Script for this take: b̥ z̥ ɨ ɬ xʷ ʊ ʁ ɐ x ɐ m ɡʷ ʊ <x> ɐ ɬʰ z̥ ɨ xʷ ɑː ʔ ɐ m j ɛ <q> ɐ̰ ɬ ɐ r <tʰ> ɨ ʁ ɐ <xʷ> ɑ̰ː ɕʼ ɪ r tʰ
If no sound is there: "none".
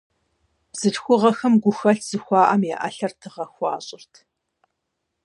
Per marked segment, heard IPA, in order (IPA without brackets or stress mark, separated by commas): x, ʔ, tʰ, xʷ